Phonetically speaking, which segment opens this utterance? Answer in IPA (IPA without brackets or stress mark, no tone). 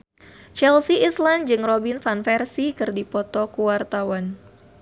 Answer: t͡ʃ